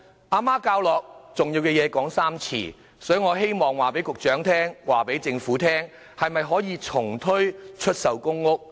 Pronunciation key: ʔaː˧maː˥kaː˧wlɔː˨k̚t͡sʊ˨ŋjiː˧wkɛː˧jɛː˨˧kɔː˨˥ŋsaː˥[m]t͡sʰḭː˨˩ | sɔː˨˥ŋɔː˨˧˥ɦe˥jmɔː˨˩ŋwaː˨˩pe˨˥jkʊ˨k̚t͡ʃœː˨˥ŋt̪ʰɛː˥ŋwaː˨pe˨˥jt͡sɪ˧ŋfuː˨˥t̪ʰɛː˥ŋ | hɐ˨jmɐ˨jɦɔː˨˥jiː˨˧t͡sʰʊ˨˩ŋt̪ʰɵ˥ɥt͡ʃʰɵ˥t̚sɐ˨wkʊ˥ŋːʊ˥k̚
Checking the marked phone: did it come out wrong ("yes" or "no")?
no